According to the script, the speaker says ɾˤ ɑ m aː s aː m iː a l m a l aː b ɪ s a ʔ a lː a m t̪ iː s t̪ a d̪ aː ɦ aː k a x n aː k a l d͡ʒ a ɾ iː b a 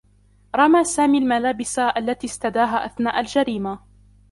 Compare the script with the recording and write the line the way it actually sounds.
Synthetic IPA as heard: ɾˤ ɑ m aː s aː m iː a l m a l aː b ɪ s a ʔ a lː a t̪ iː s t̪ a d̪ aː ɦ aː ʔ a θ n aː ʔ a l d͡ʒ a ɾ iː m a